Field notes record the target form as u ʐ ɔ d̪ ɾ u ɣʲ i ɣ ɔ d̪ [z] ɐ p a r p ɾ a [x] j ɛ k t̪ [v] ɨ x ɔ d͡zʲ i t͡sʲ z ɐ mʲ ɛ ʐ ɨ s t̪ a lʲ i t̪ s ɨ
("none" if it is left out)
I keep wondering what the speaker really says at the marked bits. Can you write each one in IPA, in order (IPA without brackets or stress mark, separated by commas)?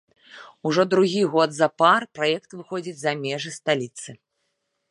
z, none, v